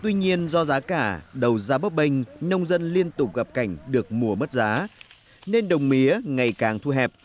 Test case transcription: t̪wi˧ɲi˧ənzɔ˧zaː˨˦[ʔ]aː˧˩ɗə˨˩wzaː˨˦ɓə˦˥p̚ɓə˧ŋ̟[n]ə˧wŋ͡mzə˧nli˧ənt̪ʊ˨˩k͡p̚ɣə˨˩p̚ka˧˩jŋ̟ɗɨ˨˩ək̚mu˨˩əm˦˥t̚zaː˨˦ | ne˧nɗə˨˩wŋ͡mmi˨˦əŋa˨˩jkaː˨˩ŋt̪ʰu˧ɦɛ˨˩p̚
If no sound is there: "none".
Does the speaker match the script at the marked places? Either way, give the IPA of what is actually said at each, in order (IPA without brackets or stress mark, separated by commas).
k, n